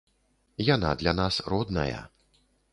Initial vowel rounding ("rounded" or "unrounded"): unrounded